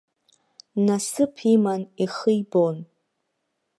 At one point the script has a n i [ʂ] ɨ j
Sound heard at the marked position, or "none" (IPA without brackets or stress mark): χ